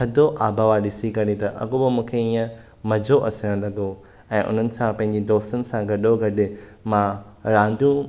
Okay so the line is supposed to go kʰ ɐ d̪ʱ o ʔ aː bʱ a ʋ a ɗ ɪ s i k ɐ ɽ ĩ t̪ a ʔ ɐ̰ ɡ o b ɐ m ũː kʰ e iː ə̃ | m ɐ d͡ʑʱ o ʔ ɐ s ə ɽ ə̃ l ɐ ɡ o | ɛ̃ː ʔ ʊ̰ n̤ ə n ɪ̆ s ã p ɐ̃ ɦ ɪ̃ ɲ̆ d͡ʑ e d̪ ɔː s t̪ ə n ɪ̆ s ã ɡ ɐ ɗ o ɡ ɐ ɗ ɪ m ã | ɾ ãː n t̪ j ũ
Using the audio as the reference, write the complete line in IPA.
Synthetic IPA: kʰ ɐ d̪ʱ o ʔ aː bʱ a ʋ a ɗ ɪ s i k ɐ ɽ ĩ t̪ ɐ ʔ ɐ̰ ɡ o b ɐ m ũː kʰ e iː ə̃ | m ɐ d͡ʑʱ o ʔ ɐ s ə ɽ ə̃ l ɐ ɡ o | ɛ̃ː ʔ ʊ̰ n̤ ə n ɪ̆ s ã p ɐ̃ ɦ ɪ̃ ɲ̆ d͡ʑ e d̪ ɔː s t̪ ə n ɪ̆ s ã ɡ ɐ ɗ o ɡ ɐ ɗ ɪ m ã | ɾ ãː n d̪ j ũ

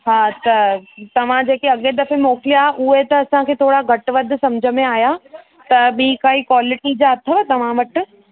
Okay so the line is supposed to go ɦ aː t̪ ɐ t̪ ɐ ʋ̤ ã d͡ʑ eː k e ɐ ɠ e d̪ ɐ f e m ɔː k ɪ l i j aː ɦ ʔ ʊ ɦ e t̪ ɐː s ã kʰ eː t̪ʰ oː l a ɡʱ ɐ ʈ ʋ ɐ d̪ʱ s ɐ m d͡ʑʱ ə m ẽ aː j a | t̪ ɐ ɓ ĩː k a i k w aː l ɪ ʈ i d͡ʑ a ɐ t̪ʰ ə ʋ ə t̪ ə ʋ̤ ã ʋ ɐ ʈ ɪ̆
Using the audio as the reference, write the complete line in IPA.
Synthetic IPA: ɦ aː t̪ ɐ t̪ ɐ ʋ̤ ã d͡ʑ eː k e ɐ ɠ e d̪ ɐ f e m ɔː k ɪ l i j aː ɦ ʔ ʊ ɦ e t̪ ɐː s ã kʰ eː t̪ʰ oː ɽ a ɡʱ ɐ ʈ ʋ ɐ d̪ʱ s ɐ m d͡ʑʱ ə m ẽ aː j a | t̪ ɐ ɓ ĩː k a i k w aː l ɪ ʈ i d͡ʑ a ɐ t̪ʰ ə ʋ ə t̪ ɐ ʋ̤ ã ʋ ɐ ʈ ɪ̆

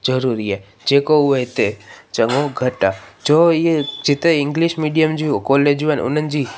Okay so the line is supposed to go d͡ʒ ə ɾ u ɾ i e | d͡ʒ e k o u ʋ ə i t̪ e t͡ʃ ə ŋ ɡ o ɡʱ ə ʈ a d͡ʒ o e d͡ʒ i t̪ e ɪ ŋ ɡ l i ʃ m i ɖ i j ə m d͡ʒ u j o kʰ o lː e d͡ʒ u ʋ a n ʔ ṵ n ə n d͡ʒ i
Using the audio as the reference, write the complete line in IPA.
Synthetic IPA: d͡ʒ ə ɾ u ɾ i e | d͡ʒ e k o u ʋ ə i t̪ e t͡ʃ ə ŋ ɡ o ɡʱ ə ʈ a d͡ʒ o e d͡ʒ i t̪ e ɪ ŋ ɡ l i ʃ m i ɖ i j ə m d͡ʒ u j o k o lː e d͡ʒ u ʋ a n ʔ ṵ n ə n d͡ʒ i

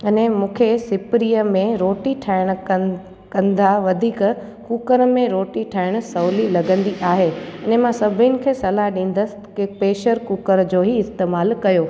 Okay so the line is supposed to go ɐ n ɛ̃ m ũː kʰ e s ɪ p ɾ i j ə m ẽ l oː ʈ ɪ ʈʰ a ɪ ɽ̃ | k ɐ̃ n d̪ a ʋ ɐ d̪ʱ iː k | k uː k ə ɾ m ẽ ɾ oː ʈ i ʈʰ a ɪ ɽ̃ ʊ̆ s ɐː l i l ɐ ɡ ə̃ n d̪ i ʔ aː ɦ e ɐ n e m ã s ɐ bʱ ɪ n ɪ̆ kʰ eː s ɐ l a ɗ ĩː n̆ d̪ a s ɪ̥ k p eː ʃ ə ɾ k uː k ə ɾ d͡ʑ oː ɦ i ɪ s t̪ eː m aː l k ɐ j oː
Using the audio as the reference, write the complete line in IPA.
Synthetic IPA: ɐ n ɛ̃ m ũː kʰ e s ɪ p ɾ i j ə m ẽ ɾ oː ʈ i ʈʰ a ɪ ɽ̃ | k ɐ̃ n d̪ a ʋ ɐ d̪ʱ iː k | k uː k ə ɾ m ẽ ɾ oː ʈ i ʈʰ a ɪ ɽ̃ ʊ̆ s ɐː l i l ɐ ɡ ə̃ n d̪ i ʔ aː ɦ e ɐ n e m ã s ɐ bʱ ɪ n ɪ̆ kʰ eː s ɐ l a ɗ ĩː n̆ d̪ ə s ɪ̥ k p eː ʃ ə ɾ k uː k ə ɾ d͡ʑ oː ɦ i ɪ s t̪ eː m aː l k ɐ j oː

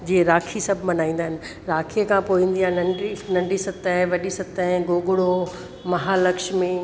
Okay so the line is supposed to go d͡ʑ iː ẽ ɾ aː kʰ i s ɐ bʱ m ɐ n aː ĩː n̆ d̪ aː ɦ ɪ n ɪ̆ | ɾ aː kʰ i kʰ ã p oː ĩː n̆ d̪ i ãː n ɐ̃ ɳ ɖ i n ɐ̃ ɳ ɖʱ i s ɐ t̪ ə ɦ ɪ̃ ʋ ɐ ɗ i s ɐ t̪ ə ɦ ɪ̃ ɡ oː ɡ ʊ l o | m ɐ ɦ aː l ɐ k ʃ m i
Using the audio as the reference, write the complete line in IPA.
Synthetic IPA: d͡ʑ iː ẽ ɾ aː kʰ i s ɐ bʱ m ɐ n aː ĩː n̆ d̪ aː ɦ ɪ n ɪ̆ | ɾ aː kʰ i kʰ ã p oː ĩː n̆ d̪ i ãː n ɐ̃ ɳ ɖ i n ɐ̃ ɳ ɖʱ i s ɐ t̪ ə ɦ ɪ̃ ʋ ɐ ɗ i s ɐ t̪ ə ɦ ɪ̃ ɡ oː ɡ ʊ ɽ o | m ɐ ɦ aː l ɐ k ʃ m i

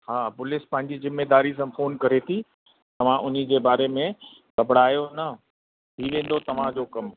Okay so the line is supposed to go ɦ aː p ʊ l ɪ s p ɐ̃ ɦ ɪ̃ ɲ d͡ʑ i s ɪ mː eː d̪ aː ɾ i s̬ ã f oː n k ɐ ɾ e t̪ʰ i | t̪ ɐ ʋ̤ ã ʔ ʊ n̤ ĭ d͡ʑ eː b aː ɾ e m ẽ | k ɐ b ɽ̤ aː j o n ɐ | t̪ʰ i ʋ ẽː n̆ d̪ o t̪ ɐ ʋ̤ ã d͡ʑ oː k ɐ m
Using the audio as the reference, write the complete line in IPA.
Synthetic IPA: ɦ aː p ʊ l ɪ s p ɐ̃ ɦ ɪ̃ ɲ d͡ʑ i z ɪ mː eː d̪ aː ɾ i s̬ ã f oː n k ɐ ɾ e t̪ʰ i | t̪ ɐ ʋ̤ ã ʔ ʊ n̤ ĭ d͡ʑ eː b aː ɾ e m ẽ | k ɐ b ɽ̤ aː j o n ɐ | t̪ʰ i ʋ ẽː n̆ d̪ o t̪ ɐ ʋ̤ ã d͡ʑ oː k ɐ m

